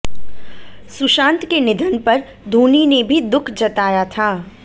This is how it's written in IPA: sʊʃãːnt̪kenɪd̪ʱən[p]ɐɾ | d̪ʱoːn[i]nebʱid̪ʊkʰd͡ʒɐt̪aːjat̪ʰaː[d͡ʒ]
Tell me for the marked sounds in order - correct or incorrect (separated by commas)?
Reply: correct, correct, incorrect